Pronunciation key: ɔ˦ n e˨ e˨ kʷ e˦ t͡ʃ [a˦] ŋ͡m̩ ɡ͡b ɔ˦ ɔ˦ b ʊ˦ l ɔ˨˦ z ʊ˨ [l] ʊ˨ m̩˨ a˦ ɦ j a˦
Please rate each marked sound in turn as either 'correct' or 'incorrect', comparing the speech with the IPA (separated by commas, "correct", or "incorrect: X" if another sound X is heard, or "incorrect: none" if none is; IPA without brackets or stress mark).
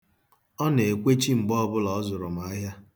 incorrect: i˦, incorrect: ɾ